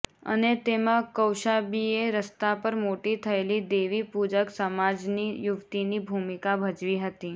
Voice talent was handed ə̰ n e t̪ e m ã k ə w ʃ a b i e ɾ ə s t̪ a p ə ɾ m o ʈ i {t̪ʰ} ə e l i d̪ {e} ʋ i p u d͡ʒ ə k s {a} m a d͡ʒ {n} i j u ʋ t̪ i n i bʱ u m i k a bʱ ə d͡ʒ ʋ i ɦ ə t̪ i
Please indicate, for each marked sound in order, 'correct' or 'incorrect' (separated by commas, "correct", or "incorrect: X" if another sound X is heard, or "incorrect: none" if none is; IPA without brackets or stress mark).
correct, correct, incorrect: ə, correct